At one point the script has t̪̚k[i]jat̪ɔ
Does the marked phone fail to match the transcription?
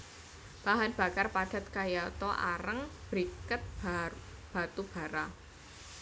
yes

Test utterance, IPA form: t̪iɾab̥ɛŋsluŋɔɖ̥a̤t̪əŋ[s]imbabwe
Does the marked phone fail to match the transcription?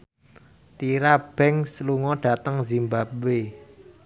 yes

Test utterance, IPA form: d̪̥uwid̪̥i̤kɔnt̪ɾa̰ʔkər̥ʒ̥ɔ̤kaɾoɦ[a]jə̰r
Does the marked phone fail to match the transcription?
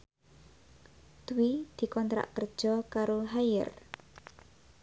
no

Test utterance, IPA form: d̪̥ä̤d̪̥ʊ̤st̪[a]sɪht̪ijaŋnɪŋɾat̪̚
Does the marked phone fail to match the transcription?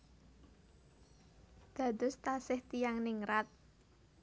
no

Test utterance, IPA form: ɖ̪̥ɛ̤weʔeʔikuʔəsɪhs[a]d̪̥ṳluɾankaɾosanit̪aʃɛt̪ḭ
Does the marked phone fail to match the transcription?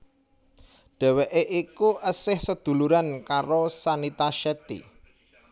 yes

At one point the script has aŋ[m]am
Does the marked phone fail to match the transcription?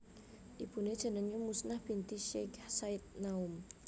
yes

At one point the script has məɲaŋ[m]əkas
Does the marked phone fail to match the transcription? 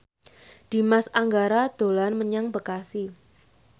yes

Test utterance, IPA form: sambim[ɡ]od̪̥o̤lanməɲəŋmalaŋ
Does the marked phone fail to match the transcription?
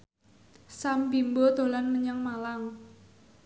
yes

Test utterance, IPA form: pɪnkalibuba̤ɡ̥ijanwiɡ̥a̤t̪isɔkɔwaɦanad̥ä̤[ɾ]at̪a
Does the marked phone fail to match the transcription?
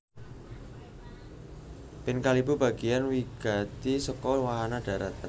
no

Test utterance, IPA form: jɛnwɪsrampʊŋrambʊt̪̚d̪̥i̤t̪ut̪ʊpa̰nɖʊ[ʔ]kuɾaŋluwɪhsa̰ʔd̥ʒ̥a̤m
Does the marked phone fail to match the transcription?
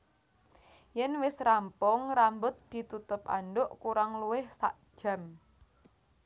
no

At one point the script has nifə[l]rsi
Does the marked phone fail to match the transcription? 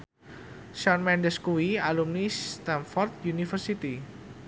yes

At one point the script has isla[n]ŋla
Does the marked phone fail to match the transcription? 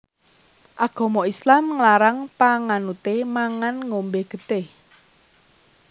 yes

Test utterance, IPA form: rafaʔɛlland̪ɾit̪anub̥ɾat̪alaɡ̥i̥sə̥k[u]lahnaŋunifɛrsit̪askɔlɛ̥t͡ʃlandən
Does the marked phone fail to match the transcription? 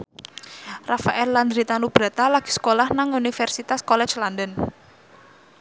yes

